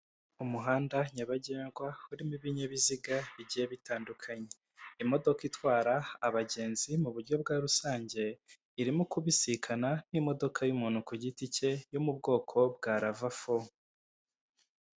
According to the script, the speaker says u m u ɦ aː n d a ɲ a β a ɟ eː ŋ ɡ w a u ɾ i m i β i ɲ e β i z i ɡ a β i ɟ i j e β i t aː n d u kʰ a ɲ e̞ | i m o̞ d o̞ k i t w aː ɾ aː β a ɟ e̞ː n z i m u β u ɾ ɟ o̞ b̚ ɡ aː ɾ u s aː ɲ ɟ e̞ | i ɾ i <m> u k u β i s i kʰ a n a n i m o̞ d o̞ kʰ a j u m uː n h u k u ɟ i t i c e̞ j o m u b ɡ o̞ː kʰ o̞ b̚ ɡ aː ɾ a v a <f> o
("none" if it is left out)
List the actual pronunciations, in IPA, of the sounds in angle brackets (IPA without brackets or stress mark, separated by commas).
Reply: m, f